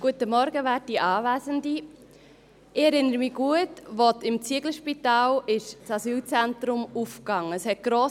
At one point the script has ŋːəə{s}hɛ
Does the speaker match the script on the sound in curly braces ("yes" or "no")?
yes